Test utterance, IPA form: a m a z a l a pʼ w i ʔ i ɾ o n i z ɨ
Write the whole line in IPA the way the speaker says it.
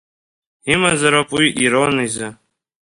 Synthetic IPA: i m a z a ɾ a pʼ w i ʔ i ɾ o n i z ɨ